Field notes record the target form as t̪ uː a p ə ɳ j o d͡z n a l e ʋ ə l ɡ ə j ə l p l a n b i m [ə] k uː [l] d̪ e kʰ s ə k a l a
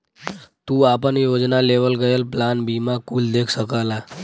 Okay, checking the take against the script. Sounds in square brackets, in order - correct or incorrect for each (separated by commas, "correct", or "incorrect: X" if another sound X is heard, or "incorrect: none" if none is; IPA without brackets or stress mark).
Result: incorrect: a, correct